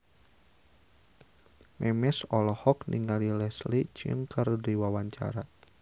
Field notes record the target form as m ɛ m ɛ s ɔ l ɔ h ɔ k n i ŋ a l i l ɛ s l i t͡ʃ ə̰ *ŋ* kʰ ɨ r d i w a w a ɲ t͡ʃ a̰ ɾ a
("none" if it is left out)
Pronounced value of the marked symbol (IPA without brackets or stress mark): ŋ